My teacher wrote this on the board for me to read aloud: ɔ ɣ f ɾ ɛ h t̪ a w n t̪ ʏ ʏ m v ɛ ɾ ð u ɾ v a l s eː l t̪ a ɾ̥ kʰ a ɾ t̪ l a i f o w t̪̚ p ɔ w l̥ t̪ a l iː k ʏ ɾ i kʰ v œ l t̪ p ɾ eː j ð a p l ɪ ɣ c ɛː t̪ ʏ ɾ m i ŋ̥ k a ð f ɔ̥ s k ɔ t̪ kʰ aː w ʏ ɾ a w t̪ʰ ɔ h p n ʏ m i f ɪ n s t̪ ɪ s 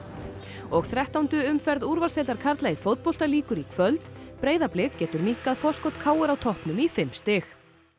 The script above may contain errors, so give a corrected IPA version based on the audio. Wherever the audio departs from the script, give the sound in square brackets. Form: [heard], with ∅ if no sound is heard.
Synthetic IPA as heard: ɔ ɣ [θ] ɾ ɛ h t̪ a w n t̪ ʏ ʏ m [f] ɛ ɾ ð u ɾ v a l s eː l t̪ a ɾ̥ kʰ a ɾ t̪ l a i f o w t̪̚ p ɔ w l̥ t̪ a l iː k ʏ ɾ i kʰ v œ l t̪ p ɾ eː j ð a p l ɪ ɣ c ɛː t̪ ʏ ɾ m i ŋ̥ k a ð f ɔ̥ s k ɔ t̪ kʰ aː w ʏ ɾ a w t̪ʰ ɔ h p n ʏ m i f ɪ [m] s t̪ ɪ [x]